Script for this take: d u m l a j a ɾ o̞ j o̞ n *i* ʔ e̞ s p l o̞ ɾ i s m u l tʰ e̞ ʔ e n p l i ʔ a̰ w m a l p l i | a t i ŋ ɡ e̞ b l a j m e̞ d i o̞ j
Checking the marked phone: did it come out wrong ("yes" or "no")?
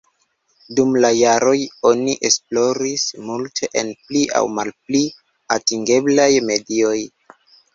no